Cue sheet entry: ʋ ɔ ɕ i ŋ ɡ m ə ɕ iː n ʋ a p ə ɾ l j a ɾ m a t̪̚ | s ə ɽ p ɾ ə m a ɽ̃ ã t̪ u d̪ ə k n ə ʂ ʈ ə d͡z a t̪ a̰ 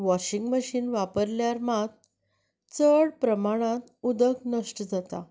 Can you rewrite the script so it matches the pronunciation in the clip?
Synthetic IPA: ʋ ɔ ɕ i ŋ ɡ m ə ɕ iː n ʋ a p ə ɾ l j a ɾ m a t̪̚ | t͡s ə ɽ p ɾ ə m a ɽ̃ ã t̪ u d̪ ə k n ə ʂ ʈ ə d͡z a t̪ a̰